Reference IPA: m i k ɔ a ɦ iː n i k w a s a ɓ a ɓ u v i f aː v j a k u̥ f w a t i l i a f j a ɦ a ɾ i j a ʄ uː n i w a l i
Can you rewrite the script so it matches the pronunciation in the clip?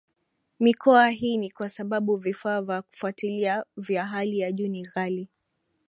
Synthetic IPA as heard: m i k ɔ a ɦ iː n i k w a s a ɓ a ɓ u v i f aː v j a k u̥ f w a t i l i a v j a ɦ a l i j a ʄ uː n i ɣ a l i